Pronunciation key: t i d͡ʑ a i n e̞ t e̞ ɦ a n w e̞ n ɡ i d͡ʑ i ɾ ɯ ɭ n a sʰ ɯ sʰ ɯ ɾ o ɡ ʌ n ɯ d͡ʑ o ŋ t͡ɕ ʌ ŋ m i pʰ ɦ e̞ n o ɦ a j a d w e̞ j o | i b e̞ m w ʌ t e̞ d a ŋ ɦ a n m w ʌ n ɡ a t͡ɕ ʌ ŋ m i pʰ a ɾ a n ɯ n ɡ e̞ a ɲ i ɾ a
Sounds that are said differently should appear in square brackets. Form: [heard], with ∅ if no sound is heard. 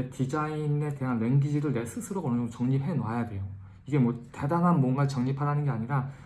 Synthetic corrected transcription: t i d͡ʑ a i n e̞ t e̞ ɦ a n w e̞ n ɡ i d͡ʑ i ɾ ɯ ɭ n [e] sʰ ɯ sʰ ɯ ɾ o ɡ ʌ n ɯ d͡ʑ o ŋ t͡ɕ ʌ ŋ [ɲ] i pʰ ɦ e̞ n o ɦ a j a d w e̞ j o | i [ɡ] e̞ m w ʌ t e̞ d a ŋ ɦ a n m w ʌ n ɡ a t͡ɕ ʌ ŋ [ɲ] i pʰ a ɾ a n ɯ n ɡ e̞ a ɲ i ɾ a